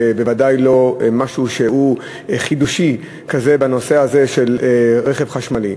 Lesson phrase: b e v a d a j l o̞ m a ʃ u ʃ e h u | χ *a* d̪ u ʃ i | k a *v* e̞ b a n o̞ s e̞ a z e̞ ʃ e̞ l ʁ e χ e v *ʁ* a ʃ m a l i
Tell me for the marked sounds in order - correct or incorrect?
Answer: incorrect: i, incorrect: z, incorrect: χ

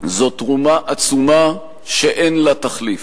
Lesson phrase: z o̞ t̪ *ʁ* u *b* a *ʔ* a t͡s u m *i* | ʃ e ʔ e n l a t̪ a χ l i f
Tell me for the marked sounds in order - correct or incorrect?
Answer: correct, incorrect: m, correct, incorrect: a

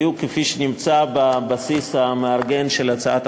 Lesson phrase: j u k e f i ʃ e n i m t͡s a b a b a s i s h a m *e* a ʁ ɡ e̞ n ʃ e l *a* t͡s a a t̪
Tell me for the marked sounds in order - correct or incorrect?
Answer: correct, correct

